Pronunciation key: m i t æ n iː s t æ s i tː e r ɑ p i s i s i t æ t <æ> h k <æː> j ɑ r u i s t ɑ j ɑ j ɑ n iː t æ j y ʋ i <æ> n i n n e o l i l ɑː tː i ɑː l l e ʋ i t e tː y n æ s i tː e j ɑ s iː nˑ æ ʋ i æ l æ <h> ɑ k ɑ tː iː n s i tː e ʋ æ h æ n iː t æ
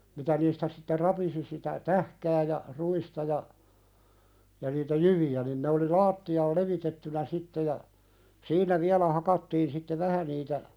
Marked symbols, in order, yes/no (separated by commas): yes, yes, yes, yes